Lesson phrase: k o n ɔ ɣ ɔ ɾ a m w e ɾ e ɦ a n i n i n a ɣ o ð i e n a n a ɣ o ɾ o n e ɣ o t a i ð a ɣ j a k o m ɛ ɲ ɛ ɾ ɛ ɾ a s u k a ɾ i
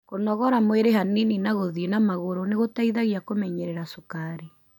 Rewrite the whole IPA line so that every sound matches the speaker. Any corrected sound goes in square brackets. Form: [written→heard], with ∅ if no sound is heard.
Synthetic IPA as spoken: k o n ɔ ɣ ɔ ɾ a m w e ɾ e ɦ a n i n i n a ɣ o ð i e n a [n→m] a ɣ o ɾ o n e ɣ o t a i ð a ɣ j a k o m ɛ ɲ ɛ ɾ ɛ ɾ a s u k a ɾ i